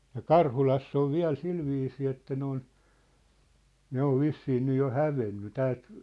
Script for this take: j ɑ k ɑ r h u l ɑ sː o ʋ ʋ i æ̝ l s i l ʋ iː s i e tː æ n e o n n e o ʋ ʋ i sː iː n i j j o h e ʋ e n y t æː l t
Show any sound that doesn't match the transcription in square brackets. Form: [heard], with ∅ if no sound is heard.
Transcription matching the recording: j ɑ k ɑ r h u l ɑ sː o ʋ ʋ i æ̝ l s i l ʋ iː s [iː] e tː æ n e o n n e o ʋ ʋ i sː iː n [y] j j o h [æ] ʋ e [nː] y t æː l t